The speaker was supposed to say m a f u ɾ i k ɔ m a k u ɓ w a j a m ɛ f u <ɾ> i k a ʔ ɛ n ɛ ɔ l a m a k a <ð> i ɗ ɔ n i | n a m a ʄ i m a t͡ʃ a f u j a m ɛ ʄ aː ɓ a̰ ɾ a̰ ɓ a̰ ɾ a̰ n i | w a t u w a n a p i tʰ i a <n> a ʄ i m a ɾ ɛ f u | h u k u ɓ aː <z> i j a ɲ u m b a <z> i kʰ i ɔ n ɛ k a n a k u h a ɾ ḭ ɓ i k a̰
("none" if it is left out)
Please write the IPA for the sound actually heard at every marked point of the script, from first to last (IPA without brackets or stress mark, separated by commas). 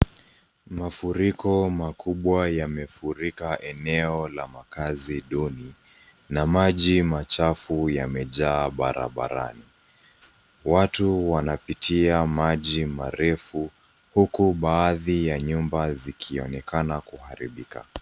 ɾ, z, m, ð, z